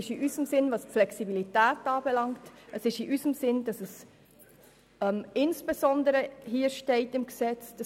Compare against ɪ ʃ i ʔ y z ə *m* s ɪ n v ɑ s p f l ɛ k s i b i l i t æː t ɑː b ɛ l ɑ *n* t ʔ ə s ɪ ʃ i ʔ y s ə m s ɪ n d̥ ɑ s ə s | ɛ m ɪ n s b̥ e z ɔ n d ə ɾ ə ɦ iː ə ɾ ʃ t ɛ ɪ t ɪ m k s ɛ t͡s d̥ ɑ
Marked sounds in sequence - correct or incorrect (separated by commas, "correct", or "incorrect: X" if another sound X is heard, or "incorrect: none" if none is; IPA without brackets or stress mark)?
correct, incorrect: ŋ